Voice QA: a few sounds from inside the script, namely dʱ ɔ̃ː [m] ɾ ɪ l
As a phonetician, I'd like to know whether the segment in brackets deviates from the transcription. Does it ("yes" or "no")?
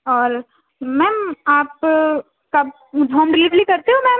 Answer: no